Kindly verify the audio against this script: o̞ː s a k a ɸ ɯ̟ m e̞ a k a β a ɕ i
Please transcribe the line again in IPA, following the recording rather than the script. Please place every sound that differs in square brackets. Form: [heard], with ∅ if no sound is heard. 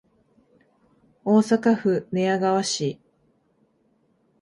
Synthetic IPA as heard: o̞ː s a k a ɸ ɯ̟ [n] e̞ a [ɡ] a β a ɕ i